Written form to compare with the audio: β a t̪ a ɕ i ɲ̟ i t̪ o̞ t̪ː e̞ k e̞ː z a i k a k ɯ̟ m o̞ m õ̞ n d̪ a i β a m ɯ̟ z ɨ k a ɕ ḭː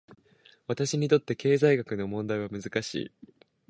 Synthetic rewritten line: β a t̪ a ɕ i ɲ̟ i t̪ o̞ t̪ː e̞ k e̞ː z a i ɡ a k ɯ̟ n o̞ m õ̞ n d̪ a i β a m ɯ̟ z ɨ k a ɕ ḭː